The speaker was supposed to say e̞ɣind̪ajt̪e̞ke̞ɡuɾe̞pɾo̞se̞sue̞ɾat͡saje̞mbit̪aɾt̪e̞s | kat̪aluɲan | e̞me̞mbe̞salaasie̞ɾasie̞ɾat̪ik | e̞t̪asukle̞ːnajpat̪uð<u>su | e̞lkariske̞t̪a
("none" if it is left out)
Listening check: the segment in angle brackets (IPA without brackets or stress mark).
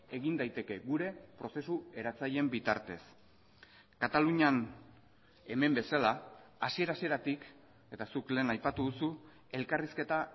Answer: u